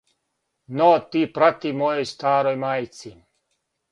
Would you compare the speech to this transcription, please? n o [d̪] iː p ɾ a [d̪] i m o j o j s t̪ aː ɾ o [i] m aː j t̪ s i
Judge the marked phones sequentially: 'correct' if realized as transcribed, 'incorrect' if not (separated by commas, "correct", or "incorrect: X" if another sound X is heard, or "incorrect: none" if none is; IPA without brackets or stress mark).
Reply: incorrect: t̪, incorrect: t̪, incorrect: j